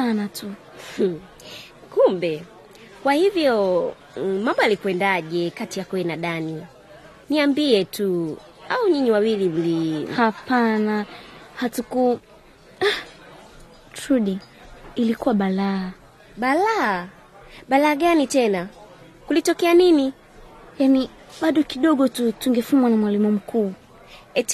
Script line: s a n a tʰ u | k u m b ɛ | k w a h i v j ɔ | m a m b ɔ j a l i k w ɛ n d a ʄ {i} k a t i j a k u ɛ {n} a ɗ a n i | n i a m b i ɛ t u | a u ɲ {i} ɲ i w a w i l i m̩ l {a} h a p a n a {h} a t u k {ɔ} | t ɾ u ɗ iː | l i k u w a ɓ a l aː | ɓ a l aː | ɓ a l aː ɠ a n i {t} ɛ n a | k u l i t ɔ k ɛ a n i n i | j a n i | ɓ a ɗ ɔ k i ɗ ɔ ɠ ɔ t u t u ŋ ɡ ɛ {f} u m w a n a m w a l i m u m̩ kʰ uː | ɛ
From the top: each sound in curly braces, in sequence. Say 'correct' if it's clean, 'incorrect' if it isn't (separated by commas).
incorrect, correct, correct, incorrect, correct, incorrect, correct, correct